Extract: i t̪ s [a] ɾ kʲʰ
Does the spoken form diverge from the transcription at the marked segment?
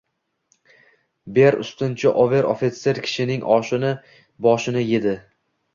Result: yes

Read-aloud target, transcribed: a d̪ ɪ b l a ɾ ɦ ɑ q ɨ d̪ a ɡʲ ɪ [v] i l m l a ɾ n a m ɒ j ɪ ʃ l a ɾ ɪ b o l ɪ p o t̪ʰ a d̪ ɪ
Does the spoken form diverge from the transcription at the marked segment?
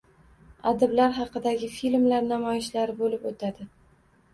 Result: yes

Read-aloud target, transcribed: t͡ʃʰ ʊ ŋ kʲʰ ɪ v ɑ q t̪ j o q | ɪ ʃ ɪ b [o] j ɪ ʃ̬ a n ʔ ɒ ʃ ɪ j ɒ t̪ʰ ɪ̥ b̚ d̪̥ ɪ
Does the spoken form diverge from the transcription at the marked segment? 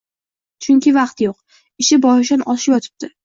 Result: yes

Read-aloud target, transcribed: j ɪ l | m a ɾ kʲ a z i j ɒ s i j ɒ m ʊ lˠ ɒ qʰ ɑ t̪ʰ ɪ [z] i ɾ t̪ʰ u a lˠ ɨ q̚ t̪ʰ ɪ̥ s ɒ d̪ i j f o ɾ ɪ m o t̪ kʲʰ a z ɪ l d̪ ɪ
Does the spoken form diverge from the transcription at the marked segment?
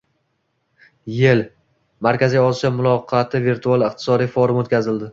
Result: yes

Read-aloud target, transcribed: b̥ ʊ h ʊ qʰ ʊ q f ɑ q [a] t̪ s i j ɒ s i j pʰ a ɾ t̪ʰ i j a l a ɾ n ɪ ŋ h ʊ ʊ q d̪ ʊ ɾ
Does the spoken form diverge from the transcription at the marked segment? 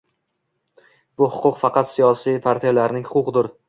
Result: yes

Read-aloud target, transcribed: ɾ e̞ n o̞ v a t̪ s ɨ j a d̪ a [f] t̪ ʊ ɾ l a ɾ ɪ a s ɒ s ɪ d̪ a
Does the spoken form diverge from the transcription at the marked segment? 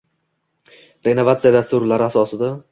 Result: yes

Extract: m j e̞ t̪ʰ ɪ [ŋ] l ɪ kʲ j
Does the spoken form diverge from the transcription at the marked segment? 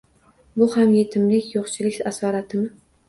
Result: yes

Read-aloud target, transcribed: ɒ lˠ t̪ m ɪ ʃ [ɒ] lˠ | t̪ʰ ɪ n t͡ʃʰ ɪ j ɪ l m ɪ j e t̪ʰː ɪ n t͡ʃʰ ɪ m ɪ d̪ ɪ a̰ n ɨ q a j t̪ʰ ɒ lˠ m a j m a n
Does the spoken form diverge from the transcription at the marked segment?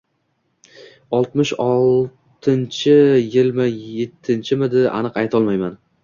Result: no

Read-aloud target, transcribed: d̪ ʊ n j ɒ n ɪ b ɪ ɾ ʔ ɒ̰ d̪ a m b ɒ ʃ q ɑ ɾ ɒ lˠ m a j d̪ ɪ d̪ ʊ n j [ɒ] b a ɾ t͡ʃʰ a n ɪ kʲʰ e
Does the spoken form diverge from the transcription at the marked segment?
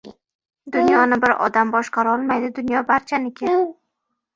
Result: no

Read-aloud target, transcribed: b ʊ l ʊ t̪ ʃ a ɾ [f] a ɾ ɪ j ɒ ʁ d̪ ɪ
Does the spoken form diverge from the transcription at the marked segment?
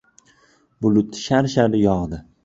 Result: yes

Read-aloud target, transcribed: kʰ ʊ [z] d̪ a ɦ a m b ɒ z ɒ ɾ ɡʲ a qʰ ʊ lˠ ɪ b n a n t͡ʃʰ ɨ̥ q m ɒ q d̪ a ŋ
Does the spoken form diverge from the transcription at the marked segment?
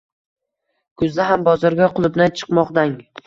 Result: no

